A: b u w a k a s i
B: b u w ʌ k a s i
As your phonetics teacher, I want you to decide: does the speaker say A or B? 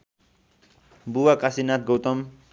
A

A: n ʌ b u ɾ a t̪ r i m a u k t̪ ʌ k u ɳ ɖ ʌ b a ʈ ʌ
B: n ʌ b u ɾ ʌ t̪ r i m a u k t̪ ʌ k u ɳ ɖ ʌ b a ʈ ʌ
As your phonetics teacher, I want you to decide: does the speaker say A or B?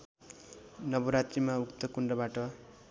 A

